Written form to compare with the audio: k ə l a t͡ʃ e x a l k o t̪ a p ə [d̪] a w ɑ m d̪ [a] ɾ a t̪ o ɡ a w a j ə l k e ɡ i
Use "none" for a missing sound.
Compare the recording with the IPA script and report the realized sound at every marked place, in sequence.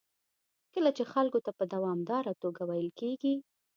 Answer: d̪, ɑ

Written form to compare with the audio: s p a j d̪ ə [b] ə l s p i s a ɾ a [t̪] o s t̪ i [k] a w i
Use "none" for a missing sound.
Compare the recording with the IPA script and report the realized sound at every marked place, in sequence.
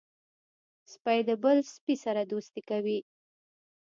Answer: b, d̪, k

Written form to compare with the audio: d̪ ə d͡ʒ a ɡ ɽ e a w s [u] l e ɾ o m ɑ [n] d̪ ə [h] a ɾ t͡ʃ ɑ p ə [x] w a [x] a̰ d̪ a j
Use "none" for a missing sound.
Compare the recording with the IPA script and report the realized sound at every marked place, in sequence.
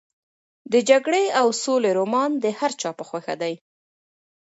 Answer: o, n, h, x, x

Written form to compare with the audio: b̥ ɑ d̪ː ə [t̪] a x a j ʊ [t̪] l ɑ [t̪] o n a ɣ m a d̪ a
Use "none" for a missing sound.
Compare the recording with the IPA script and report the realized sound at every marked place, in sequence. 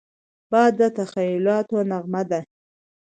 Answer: t̪, none, t̪

